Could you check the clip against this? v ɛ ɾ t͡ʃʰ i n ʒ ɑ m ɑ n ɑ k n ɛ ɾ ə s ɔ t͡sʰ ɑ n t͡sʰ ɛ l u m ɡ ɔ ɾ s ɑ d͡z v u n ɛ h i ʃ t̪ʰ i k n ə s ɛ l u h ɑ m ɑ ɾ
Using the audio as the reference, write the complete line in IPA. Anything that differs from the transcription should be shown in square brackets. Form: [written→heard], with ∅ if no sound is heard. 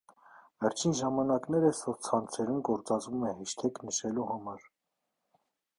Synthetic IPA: v ɛ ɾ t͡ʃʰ i n ʒ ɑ m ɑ n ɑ k n ɛ ɾ ə s ɔ t͡sʰ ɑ n t͡sʰ ɛ [l→ɾ] u m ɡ ɔ ɾ [s→t͡s] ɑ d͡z v u [n→m] ɛ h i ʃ t̪ʰ [i→ɛ] k n ə [s→ʃ] ɛ l u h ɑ m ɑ ɾ